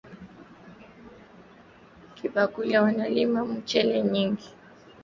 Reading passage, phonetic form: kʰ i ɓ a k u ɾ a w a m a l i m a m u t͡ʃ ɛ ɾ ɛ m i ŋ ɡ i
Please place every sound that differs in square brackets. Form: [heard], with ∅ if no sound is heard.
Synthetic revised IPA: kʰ i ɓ a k u [l] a w a [n] a l i m a m u t͡ʃ ɛ [l] ɛ [ɲ] i ŋ ɡ i